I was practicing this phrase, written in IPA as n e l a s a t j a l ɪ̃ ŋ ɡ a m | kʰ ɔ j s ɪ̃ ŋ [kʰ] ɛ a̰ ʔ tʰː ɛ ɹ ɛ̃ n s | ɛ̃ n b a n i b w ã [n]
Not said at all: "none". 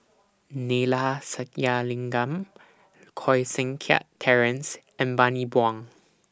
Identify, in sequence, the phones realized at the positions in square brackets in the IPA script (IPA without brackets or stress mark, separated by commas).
kʰ, ŋ